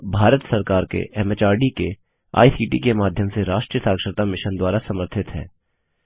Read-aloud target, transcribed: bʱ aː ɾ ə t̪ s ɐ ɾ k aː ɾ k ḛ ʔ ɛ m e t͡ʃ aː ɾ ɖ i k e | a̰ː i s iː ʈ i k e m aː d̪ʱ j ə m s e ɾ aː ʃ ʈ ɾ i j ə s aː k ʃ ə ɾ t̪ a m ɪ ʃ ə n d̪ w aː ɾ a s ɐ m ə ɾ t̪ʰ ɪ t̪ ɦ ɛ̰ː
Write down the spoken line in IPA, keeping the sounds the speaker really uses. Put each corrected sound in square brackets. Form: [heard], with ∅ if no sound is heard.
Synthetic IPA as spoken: bʱ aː ɾ ə t̪ s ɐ ɾ k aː ɾ k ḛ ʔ ɛ m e t͡ʃ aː ɾ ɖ i k e | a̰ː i s iː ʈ i k e m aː d̪ʱ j ə m s e ɾ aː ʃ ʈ ɾ i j ə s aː k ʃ ə ɾ t̪ a m ɪ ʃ ə n d̪ w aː ɾ a s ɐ m ə ɾ t̪ʰ ɪ t̪ ɦ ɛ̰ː